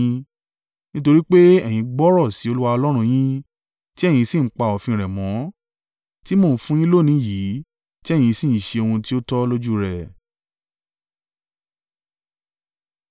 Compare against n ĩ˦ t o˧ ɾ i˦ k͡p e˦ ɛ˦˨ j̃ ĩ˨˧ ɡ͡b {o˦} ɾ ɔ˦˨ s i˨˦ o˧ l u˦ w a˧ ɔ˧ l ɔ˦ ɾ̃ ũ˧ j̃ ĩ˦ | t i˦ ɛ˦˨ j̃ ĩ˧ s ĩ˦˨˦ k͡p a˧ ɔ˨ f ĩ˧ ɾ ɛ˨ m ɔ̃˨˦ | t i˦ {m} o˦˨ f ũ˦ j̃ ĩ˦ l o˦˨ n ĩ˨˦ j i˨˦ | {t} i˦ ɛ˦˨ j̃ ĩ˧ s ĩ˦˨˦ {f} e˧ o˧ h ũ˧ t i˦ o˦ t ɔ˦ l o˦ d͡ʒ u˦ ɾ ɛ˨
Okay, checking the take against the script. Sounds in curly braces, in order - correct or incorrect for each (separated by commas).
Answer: incorrect, correct, correct, incorrect